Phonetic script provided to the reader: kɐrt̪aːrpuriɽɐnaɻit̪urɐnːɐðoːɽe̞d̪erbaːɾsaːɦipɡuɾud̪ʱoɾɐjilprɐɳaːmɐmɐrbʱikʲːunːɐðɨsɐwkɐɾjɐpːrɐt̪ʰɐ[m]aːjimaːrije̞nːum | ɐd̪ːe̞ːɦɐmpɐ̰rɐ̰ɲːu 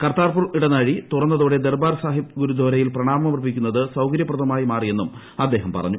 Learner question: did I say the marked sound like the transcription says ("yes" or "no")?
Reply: yes